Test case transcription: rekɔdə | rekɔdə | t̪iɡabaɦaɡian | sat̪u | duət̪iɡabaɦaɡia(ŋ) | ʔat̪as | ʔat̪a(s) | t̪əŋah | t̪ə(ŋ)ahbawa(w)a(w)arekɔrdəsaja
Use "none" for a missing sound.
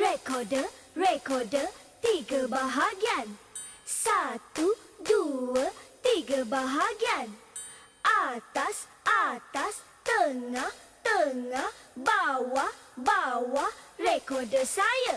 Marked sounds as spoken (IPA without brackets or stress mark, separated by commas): n, s, ŋ, b, w